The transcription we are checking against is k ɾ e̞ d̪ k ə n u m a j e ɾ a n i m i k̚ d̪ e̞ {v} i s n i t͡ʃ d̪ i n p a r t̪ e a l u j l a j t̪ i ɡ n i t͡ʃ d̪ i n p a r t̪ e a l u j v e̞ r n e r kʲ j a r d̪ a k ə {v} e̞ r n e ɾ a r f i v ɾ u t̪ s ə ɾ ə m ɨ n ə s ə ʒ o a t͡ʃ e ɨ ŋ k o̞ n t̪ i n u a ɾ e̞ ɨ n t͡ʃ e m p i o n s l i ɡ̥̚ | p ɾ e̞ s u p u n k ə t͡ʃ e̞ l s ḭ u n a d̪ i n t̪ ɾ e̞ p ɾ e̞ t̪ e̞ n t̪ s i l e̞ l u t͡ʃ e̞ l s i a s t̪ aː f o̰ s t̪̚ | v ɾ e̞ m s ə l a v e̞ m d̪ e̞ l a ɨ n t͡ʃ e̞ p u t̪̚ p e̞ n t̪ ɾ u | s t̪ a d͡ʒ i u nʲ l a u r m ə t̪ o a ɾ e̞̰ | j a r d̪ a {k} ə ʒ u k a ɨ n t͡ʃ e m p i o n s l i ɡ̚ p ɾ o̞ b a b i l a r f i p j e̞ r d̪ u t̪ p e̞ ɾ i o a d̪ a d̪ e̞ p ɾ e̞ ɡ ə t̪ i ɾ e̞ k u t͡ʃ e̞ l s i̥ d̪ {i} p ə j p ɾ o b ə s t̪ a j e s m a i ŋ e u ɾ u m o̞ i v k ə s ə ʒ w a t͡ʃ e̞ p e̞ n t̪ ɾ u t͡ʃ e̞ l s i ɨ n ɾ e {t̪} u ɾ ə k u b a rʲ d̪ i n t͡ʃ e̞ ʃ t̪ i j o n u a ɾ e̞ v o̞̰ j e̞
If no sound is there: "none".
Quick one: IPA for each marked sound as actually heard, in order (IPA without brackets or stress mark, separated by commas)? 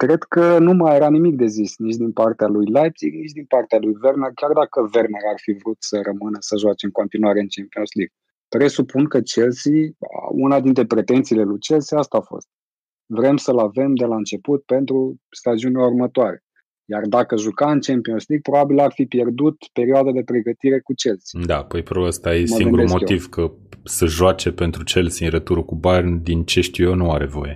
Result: z, v, k, a, t̪